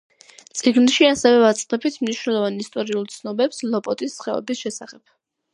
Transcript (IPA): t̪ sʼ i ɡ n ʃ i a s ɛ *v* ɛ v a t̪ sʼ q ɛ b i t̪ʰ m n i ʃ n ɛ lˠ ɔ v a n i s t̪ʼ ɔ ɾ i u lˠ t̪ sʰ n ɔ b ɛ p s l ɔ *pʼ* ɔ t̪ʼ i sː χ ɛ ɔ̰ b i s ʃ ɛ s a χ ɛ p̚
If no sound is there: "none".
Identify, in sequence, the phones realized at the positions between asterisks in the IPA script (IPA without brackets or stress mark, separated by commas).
v, pʼ